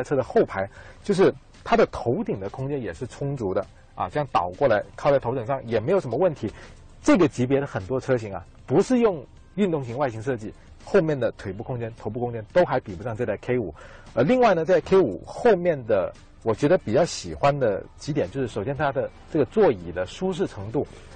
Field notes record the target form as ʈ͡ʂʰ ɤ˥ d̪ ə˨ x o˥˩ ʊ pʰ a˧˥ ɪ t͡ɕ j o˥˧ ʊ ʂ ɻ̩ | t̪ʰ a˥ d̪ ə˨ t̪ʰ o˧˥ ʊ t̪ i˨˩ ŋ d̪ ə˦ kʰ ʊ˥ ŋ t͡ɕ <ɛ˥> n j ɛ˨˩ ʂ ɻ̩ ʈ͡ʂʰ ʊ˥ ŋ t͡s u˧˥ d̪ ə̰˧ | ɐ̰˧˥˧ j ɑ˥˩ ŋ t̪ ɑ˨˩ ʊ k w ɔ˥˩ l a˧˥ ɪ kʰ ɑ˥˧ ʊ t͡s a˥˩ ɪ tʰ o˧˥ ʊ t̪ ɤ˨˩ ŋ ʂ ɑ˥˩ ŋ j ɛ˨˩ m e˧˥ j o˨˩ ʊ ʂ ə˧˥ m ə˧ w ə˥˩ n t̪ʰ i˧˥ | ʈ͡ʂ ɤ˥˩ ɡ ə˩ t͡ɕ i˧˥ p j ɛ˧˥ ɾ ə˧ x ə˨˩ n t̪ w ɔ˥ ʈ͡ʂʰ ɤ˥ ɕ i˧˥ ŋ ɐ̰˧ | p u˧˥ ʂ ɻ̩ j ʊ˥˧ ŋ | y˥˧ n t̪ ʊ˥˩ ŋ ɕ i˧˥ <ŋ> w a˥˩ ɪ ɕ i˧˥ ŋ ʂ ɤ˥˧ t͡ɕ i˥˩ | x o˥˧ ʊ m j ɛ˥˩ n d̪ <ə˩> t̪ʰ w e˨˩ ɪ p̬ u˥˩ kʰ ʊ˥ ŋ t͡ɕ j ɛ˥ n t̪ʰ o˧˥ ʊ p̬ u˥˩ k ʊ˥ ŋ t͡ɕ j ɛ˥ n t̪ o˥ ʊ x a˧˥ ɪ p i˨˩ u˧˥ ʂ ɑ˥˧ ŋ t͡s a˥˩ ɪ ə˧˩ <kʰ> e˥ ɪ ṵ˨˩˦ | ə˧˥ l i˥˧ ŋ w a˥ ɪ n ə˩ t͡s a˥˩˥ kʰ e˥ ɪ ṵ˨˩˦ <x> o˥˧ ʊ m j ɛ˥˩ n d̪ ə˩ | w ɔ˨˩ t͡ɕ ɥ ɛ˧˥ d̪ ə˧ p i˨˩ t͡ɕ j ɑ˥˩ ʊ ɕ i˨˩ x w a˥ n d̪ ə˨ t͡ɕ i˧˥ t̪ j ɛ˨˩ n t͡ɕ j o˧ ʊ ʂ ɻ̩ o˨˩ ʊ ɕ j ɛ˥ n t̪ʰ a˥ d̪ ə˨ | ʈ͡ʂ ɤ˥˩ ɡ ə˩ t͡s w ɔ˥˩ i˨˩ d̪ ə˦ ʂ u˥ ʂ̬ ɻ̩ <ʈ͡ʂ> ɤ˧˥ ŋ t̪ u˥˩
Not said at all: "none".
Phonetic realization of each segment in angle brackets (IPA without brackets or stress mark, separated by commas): ɛ˥, ŋ, ə˩, kʰ, x, ʈ͡ʂʰ